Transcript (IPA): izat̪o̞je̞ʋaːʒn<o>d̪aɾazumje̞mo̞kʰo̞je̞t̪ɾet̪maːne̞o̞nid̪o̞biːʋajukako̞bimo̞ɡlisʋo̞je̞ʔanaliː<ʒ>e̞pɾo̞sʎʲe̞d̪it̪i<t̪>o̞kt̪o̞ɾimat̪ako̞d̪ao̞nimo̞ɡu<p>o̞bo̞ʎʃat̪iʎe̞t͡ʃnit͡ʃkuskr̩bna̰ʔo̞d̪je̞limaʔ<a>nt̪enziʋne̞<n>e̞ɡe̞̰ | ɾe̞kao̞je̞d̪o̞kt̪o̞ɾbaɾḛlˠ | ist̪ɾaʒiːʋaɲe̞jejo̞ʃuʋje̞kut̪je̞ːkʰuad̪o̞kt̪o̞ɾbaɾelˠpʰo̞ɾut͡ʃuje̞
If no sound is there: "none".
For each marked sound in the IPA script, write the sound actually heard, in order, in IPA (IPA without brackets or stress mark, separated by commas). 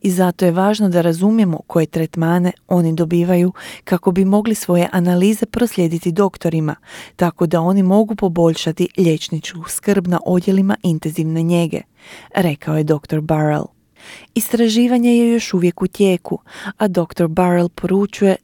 o, z, d̪, p, i, ɲ